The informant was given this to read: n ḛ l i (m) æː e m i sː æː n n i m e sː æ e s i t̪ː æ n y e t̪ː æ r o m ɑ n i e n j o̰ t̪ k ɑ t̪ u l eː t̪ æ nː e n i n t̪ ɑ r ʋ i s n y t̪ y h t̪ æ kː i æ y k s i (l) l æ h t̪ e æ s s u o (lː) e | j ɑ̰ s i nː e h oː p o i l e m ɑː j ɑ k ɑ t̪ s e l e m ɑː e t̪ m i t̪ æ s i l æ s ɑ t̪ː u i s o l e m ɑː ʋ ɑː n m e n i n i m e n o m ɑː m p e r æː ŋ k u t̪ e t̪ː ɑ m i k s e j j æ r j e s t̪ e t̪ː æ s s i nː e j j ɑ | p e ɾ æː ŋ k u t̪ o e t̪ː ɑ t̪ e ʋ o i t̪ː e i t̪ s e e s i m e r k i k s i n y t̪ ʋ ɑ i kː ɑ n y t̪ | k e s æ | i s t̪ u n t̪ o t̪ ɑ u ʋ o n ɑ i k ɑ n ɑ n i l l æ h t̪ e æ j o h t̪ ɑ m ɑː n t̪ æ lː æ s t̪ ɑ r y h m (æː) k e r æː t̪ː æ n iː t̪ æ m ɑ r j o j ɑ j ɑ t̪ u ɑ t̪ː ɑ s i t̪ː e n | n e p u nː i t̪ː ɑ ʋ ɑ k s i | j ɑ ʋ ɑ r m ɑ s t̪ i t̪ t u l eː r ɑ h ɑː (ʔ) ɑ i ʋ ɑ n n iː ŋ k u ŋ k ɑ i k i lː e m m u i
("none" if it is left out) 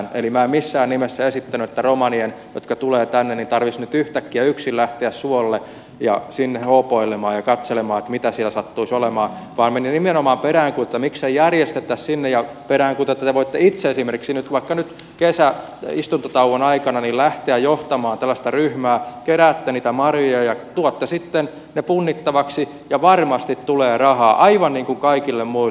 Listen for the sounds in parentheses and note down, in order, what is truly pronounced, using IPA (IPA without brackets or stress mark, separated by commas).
m, l, lː, æː, ʔ